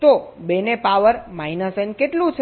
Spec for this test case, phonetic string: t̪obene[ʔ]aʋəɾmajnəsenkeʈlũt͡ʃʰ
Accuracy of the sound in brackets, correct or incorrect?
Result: incorrect